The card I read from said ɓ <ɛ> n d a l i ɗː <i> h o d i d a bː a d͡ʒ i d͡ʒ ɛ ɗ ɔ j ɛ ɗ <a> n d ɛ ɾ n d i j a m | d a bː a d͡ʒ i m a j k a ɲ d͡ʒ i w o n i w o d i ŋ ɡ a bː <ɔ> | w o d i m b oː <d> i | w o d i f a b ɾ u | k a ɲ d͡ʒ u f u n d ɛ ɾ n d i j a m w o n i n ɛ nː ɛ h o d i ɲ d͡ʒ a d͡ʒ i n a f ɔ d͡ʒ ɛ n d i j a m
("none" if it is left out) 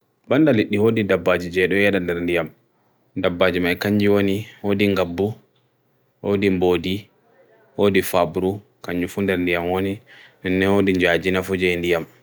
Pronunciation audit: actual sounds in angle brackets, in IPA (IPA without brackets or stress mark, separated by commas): a, i, a, u, d